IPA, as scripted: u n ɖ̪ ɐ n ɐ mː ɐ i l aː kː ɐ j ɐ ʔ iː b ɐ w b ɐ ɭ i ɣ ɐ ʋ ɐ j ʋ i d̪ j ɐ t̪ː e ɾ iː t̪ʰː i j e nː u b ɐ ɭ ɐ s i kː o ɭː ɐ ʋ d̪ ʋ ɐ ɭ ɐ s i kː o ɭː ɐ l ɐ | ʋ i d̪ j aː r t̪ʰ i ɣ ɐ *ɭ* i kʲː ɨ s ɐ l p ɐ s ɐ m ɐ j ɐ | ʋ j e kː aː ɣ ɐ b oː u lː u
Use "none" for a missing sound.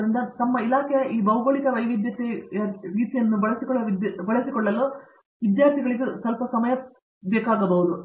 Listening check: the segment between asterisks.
ɭ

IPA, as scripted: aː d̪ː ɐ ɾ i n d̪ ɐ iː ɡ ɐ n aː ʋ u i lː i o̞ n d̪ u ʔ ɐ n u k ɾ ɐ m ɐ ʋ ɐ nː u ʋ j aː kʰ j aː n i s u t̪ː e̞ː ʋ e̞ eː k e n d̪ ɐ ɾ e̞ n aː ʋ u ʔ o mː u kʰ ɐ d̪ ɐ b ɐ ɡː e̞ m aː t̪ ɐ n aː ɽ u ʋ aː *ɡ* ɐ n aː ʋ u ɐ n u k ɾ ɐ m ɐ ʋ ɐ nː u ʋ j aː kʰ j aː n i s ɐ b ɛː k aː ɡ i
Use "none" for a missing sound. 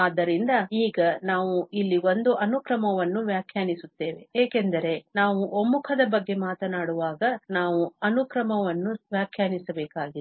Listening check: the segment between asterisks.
ɡ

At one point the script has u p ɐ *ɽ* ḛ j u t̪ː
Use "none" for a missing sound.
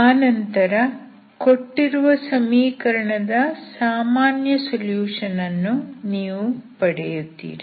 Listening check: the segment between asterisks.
ɽ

